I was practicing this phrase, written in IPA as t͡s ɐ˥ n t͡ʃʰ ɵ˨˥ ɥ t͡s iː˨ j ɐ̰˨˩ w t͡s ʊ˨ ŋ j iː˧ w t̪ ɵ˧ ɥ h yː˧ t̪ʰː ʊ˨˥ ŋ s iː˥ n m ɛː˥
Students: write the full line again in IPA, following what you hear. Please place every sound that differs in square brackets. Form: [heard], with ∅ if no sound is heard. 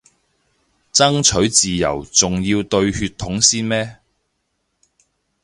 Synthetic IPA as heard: t͡s ɐ˥ [ŋ] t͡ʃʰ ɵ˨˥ ɥ t͡s iː˨ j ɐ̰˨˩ w t͡s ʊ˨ ŋ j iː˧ w t̪ ɵ˧ ɥ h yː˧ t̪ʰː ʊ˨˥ ŋ s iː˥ n m ɛː˥